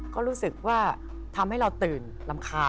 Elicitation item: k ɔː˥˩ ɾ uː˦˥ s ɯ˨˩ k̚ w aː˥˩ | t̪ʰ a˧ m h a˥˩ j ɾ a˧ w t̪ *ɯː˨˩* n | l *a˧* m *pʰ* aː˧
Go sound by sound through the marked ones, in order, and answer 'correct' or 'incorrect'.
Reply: correct, correct, incorrect

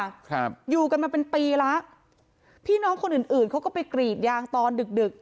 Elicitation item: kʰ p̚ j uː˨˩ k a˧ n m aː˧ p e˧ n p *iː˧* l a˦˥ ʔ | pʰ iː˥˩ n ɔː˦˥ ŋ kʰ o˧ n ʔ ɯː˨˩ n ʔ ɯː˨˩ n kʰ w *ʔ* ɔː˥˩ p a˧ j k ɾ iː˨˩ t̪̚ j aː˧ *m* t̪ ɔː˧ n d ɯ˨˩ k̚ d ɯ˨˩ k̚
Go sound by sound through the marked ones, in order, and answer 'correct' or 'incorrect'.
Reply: correct, incorrect, incorrect

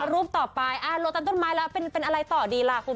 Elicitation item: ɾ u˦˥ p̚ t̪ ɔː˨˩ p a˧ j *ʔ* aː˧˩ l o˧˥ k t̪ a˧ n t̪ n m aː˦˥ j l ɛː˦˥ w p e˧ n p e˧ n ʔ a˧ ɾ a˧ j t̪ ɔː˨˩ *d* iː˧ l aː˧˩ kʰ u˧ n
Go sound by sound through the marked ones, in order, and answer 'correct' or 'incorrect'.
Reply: correct, correct

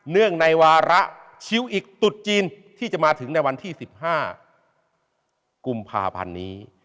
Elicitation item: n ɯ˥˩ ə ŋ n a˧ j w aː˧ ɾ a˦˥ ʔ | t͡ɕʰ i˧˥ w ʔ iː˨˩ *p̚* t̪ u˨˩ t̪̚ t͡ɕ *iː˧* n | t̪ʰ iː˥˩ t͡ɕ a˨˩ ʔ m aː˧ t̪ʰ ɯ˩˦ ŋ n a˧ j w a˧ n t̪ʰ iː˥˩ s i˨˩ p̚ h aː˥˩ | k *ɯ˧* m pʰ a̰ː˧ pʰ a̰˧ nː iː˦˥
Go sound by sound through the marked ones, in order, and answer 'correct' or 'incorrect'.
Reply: incorrect, correct, incorrect

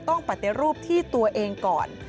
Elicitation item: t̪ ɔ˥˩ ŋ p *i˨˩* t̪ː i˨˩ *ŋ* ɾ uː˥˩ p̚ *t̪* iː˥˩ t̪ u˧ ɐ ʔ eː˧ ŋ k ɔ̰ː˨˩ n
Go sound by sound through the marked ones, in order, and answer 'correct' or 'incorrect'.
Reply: incorrect, incorrect, incorrect

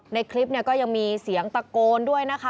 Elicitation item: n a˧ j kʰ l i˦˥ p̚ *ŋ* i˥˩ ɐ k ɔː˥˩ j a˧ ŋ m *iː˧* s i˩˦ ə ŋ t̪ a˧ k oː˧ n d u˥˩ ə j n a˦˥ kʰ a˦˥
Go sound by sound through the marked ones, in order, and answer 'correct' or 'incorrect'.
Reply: incorrect, correct

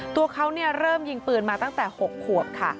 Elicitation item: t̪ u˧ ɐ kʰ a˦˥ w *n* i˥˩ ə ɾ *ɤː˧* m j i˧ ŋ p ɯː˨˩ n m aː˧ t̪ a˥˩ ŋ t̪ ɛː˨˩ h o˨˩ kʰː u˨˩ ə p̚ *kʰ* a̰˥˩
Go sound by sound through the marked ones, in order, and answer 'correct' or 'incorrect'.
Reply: correct, incorrect, correct

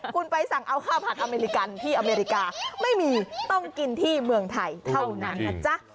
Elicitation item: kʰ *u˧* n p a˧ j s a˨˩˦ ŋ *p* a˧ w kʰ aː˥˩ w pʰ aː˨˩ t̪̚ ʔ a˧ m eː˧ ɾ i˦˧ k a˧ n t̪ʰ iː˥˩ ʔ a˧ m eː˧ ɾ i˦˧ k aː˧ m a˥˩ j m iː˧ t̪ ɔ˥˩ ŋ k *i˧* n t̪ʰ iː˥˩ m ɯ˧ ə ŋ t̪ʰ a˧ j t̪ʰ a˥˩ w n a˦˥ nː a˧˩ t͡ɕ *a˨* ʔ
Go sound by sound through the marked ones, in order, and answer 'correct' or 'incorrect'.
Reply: correct, incorrect, correct, incorrect

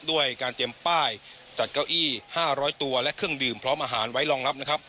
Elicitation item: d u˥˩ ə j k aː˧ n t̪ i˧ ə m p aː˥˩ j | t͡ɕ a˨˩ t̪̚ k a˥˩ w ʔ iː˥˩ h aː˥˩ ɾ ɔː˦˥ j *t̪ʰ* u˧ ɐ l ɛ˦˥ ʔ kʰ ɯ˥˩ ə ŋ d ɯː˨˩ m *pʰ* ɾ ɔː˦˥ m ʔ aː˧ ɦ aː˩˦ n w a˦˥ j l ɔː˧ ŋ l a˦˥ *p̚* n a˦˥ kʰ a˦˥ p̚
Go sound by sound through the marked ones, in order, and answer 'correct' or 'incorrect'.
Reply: incorrect, correct, correct

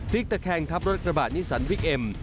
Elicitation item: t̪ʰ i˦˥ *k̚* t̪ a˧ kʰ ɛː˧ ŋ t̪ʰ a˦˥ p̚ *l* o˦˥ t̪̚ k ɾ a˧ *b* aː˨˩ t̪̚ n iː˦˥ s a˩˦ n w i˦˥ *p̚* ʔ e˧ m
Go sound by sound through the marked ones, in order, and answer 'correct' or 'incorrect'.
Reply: correct, incorrect, correct, incorrect

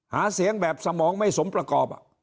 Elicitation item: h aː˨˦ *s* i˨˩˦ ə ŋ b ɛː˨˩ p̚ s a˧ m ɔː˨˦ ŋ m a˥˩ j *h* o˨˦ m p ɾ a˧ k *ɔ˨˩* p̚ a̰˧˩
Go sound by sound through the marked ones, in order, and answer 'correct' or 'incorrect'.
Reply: correct, incorrect, incorrect

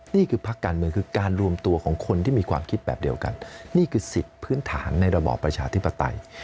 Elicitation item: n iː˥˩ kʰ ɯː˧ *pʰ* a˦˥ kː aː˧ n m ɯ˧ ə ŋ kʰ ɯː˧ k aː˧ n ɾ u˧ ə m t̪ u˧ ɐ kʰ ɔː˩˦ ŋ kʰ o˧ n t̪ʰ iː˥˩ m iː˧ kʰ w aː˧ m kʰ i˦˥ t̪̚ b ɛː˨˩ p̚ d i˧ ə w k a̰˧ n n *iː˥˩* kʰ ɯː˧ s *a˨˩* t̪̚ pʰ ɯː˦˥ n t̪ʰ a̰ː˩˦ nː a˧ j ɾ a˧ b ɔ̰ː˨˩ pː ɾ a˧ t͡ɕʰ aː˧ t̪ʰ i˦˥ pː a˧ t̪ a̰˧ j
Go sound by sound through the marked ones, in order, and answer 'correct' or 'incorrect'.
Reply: correct, correct, incorrect

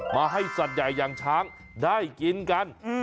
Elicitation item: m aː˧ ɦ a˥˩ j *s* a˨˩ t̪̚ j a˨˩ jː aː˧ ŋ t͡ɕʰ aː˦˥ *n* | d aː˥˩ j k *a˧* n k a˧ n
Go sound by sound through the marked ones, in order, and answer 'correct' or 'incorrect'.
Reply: correct, incorrect, incorrect

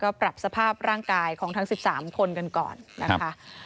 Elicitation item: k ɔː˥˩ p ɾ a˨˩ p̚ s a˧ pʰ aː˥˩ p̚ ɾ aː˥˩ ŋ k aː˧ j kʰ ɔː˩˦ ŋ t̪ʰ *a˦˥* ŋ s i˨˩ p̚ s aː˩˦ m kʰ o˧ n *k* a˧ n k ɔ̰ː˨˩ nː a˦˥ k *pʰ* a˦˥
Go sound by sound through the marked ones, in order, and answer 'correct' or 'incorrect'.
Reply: correct, correct, incorrect

